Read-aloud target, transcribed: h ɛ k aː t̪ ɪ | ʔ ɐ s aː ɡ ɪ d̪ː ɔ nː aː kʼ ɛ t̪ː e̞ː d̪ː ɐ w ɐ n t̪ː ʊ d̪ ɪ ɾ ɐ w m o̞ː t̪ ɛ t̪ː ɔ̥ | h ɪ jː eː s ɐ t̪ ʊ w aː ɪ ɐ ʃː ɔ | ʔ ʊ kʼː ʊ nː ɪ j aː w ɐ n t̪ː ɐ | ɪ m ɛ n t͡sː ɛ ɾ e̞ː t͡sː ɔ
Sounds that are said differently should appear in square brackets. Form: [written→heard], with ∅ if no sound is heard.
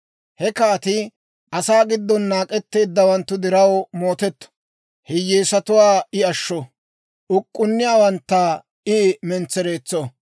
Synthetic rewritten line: h ɛ k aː t̪ ɪ | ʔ ɐ s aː ɡ ɪ d̪ː ɔ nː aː kʼ ɛ t̪ː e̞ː d̪ː ɐ w ɐ n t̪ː ʊ d̪ ɪ ɾ ɐ w m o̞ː t̪ ɛ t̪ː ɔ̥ | h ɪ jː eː s ɐ t̪ ʊ w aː ɪ ɐ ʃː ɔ | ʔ ʊ kʼː ʊ nː ɪ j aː w ɐ n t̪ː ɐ | ɪ m ɛ n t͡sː ɛ ɾ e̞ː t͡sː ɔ

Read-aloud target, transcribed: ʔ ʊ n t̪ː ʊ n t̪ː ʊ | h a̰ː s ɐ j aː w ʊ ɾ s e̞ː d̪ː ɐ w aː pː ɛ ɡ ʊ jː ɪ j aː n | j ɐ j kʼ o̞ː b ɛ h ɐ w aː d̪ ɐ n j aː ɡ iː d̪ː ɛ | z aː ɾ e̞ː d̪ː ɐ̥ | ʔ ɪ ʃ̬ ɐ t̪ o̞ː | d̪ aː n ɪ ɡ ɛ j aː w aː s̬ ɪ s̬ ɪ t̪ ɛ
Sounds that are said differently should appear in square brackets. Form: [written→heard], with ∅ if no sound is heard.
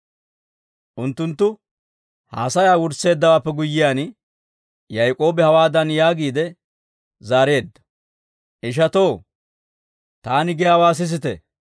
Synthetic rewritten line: ʔ ʊ n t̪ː ʊ n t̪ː ʊ | h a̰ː s ɐ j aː w ʊ ɾ s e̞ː d̪ː ɐ w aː pː ɛ ɡ ʊ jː ɪ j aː n | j ɐ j kʼ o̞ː b ɛ h ɐ w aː d̪ ɐ n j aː ɡ iː [d̪ː→d̪] ɛ | z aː ɾ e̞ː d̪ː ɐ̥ | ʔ ɪ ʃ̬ ɐ t̪ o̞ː | [d̪→t̪] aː n ɪ ɡ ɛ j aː w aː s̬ ɪ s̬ ɪ t̪ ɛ

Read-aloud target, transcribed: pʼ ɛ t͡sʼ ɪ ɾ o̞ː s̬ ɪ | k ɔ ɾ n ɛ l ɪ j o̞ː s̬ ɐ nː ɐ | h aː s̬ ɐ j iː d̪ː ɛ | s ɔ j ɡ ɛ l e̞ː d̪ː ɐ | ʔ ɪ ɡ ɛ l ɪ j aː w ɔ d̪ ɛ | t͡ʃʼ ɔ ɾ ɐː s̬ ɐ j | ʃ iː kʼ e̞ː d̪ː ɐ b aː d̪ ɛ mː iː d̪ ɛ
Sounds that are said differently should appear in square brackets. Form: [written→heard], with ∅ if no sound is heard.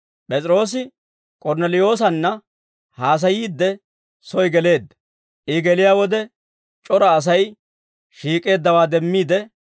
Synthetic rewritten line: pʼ ɛ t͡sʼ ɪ ɾ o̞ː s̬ ɪ | [k→kʼ] ɔ ɾ n ɛ l ɪ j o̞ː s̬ ɐ nː ɐ | h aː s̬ ɐ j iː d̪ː ɛ | s ɔ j ɡ ɛ l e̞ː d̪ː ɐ | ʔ ɪ ɡ ɛ l ɪ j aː w ɔ d̪ ɛ | t͡ʃʼ ɔ ɾ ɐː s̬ ɐ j | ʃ iː kʼ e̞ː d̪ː ɐ [b→w] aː d̪ ɛ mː iː d̪ ɛ

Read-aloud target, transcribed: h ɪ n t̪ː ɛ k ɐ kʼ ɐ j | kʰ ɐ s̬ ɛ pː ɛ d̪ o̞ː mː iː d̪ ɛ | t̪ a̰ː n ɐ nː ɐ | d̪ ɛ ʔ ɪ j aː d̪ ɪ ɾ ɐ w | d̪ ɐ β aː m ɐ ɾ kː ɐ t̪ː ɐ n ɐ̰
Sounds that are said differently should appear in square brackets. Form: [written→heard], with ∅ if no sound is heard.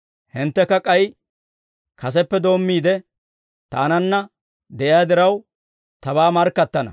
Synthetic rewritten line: h ɪ n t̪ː ɛ k ɐ kʼ ɐ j | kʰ ɐ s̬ ɛ pː ɛ d̪ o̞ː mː iː d̪ ɛ | t̪ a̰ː n ɐ nː ɐ | d̪ ɛ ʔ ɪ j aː d̪ ɪ ɾ ɐ w | [d̪→t̪] ɐ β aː m ɐ ɾ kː ɐ t̪ː ɐ n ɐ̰

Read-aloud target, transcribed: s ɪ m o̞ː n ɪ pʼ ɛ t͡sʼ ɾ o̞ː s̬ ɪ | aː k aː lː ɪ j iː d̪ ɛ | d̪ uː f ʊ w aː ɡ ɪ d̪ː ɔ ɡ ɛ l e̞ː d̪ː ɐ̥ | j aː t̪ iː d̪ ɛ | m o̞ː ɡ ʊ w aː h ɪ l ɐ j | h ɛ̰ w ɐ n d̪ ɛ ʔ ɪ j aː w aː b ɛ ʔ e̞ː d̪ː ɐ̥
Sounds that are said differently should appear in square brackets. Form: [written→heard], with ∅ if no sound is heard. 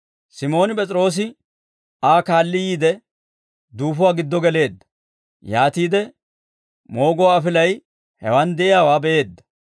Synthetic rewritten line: s ɪ m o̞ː n ɪ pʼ ɛ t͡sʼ ɾ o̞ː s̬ ɪ | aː k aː lː ɪ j iː d̪ ɛ | d̪ uː f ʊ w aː ɡ ɪ d̪ː ɔ ɡ ɛ l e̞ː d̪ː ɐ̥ | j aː t̪ iː d̪ ɛ | m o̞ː ɡ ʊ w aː [h→f] ɪ l ɐ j | h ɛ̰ w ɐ n d̪ ɛ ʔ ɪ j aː w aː b ɛ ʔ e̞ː d̪ː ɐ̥

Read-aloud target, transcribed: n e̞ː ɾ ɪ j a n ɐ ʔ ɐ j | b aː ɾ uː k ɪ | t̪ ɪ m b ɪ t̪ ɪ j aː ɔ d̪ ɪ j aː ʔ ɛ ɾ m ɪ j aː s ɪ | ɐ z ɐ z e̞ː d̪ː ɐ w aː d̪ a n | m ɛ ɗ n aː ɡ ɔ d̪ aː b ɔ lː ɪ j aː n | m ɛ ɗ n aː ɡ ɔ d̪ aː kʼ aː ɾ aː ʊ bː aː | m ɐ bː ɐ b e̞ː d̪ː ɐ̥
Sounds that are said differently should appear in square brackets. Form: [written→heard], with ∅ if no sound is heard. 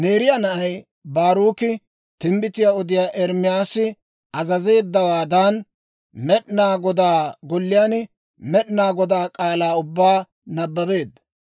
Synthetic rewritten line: n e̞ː ɾ ɪ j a n ɐ ʔ ɐ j | b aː ɾ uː k ɪ | t̪ ɪ m b ɪ t̪ ɪ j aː ɔ d̪ ɪ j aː ʔ ɛ ɾ m ɪ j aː s ɪ | ɐ z ɐ z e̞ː d̪ː ɐ w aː d̪ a n | m ɛ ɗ n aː ɡ ɔ d̪ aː [b→ɡ] ɔ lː ɪ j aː n | m ɛ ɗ n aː ɡ ɔ d̪ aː kʼ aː [ɾ→l] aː ʊ bː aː | [m→n] ɐ bː ɐ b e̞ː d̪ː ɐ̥

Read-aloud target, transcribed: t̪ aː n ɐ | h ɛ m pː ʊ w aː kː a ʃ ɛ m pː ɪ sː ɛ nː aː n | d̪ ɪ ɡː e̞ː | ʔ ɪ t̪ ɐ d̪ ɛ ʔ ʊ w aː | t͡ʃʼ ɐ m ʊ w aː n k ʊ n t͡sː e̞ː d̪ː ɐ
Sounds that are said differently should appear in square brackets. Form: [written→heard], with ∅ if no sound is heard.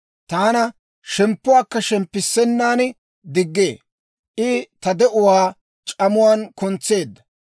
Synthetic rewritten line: t̪ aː n ɐ | [h→ʃ] ɛ m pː ʊ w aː kː [a→ɐ] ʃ ɛ m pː ɪ sː ɛ nː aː n | d̪ ɪ ɡː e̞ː | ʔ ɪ t̪ ɐ d̪ ɛ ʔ ʊ w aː | t͡ʃʼ ɐ m ʊ w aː n k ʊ n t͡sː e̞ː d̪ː ɐ

